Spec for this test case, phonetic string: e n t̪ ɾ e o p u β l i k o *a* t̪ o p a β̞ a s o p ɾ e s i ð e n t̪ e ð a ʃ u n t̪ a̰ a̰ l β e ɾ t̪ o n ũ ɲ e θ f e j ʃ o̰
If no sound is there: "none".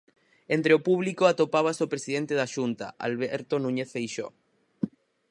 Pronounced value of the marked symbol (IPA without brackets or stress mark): a